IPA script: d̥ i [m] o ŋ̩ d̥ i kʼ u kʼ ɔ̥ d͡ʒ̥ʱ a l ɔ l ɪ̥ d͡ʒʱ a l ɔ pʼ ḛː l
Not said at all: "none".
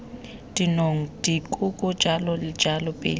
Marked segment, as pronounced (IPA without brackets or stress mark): n